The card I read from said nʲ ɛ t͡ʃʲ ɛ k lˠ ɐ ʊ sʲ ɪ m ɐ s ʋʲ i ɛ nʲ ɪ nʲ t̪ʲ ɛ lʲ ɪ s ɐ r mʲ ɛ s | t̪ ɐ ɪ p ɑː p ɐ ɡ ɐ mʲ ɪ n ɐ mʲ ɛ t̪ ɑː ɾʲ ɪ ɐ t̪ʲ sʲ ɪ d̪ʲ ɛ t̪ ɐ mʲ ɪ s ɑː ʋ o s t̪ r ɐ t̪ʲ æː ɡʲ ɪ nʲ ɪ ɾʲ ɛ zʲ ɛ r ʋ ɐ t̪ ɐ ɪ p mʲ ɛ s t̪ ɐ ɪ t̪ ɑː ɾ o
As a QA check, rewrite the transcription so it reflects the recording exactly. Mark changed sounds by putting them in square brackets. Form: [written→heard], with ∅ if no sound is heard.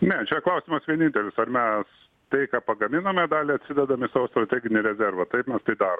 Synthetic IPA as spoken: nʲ ɛ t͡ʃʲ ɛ k lˠ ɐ ʊ sʲ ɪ m ɐ s ʋʲ i ɛ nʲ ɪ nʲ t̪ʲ ɛ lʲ ɪ s ɐ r mʲ ɛ s | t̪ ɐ ɪ [p→k] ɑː p ɐ ɡ ɐ mʲ ɪ n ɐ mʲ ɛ [t̪→d̪] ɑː [ɾʲ→lʲ] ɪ ɐ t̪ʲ sʲ ɪ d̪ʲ ɛ [t̪→d̪] ɐ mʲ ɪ s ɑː ʋ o s t̪ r ɐ t̪ʲ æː ɡʲ ɪ nʲ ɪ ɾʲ ɛ zʲ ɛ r ʋ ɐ t̪ ɐ ɪ p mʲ ɛ s t̪ ɐ ɪ [t̪→d̪] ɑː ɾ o